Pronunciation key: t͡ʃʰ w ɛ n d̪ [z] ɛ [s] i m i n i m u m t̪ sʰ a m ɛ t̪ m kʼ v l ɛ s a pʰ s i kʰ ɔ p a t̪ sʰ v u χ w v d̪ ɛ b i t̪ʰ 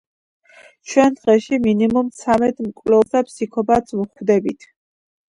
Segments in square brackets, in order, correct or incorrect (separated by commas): incorrect, incorrect